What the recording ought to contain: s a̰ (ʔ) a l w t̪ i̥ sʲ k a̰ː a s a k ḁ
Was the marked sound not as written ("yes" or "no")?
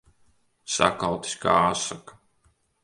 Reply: yes